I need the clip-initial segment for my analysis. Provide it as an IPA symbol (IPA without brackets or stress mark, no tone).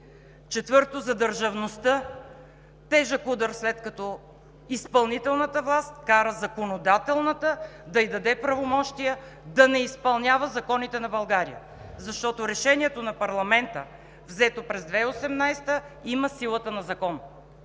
t͡ʃ